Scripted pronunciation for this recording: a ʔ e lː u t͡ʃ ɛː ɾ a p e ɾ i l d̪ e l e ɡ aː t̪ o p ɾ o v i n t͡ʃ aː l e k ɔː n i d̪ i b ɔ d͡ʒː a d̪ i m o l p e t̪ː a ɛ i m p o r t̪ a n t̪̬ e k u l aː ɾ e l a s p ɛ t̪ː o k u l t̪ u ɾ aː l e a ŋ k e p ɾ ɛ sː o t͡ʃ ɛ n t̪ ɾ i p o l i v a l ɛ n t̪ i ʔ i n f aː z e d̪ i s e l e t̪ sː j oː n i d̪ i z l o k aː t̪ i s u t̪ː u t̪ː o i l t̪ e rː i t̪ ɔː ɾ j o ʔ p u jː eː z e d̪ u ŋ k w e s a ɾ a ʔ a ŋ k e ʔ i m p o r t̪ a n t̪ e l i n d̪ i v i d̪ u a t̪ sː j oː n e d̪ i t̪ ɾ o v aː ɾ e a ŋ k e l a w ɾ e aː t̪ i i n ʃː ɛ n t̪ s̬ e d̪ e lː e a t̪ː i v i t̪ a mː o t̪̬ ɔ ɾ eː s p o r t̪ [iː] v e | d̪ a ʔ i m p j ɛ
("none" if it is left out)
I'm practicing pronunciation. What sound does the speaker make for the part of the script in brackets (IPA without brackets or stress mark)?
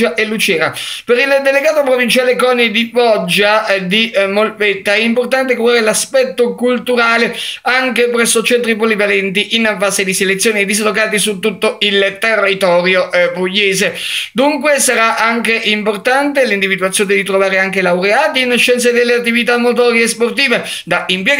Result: iː